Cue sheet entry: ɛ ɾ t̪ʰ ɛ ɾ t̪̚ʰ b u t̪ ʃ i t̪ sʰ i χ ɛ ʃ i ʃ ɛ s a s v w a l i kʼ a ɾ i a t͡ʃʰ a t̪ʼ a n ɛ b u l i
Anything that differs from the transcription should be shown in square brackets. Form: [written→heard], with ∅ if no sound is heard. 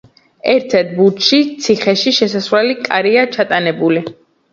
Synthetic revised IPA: ɛ ɾ t̪ʰ ɛ ɾ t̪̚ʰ b u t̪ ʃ i t̪ sʰ i χ ɛ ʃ i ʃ ɛ s a s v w [a→ɛ] l i kʼ a ɾ i a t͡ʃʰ a t̪ʼ a n ɛ b u l i